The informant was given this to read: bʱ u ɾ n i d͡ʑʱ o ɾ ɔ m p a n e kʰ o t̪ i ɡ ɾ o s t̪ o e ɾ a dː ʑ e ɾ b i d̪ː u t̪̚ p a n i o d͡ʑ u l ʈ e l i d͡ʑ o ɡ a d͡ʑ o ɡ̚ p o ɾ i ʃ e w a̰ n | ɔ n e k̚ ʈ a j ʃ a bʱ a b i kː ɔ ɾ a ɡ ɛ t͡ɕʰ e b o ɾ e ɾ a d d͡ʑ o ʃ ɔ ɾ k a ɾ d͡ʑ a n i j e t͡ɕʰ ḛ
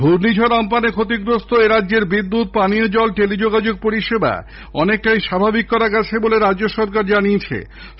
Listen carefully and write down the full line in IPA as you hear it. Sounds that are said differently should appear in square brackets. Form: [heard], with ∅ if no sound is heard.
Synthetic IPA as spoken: bʱ u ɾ n i d͡ʑʱ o ɾ ɔ m p a n e kʰ o t̪ i ɡ ɾ o s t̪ o e ɾ a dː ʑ e ɾ b i d̪ː u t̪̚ p a n i o d͡ʑ [ɔ] l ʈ e l i d͡ʑ o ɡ a d͡ʑ o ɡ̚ p o ɾ i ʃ e [b] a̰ [∅] | ɔ n e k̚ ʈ a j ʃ a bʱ a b i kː ɔ ɾ a ɡ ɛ t͡ɕʰ e b o [l] e ɾ a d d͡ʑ o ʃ ɔ ɾ k a ɾ d͡ʑ a n i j e t͡ɕʰ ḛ